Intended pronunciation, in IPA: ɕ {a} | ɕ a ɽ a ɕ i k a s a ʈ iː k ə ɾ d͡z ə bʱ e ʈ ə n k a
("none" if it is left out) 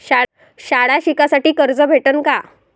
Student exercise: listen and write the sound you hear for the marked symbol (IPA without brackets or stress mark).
a